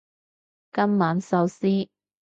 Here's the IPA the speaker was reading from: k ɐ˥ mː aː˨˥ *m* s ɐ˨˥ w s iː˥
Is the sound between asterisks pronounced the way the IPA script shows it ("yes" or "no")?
no